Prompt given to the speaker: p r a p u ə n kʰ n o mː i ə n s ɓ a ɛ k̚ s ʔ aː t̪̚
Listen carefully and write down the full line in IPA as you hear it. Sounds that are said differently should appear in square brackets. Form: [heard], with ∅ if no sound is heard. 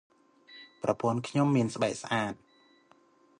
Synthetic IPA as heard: p r [ɑ] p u ə n kʰ [ɲ] o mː i ə n s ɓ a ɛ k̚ s ʔ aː t̪̚